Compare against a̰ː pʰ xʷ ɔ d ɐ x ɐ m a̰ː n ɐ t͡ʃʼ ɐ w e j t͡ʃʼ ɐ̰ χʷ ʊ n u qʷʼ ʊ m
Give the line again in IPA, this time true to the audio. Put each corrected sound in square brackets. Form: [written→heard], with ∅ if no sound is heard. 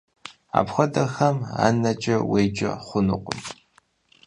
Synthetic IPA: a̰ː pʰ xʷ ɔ d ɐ x ɐ m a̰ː n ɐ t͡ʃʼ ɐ w e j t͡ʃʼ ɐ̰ χʷ ʊ n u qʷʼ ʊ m